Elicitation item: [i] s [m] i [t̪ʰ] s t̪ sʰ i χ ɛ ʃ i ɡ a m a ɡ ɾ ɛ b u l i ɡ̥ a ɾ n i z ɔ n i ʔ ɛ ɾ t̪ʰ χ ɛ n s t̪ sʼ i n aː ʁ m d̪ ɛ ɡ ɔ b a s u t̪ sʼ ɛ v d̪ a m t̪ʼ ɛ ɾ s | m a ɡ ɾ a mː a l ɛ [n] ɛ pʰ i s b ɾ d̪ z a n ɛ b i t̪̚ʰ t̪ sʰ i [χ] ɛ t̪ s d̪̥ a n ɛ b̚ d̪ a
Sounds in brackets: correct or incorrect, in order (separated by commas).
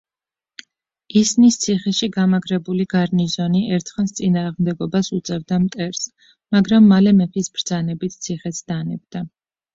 correct, incorrect, incorrect, incorrect, correct